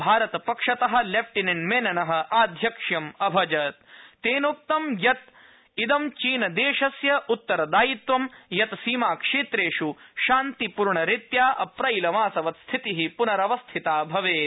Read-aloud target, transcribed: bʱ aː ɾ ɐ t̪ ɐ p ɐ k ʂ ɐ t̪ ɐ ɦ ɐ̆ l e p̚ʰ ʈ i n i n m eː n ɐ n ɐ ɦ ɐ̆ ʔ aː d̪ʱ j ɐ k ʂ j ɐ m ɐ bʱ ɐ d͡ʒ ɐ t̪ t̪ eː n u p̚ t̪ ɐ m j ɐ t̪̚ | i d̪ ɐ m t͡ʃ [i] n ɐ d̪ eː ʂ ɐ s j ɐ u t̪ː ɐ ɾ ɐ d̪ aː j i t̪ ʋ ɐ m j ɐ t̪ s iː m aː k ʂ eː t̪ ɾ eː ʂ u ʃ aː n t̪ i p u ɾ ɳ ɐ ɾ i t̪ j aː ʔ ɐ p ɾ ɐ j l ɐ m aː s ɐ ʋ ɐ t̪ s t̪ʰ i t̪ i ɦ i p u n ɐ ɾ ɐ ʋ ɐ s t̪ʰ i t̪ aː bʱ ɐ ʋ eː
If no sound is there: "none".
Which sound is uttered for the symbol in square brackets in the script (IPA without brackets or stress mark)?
iː